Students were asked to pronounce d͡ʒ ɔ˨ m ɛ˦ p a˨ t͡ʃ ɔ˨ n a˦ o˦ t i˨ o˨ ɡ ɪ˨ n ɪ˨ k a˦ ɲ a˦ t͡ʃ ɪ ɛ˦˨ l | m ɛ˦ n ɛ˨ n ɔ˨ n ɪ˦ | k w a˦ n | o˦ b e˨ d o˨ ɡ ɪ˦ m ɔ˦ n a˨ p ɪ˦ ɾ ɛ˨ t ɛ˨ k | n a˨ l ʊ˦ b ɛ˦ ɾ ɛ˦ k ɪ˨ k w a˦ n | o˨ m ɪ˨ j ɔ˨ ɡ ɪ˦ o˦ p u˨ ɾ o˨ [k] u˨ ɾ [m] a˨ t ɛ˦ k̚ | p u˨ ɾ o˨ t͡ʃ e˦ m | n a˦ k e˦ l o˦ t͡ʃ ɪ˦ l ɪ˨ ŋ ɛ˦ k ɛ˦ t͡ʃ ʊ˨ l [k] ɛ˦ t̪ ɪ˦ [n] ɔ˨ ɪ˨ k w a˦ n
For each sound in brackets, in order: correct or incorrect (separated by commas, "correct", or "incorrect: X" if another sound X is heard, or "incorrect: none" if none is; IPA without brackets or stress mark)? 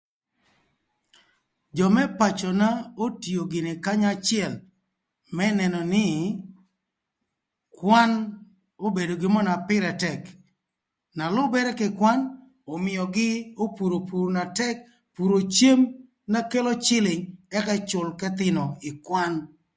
incorrect: p, incorrect: n, correct, correct